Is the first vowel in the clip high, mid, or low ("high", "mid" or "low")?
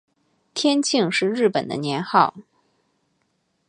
mid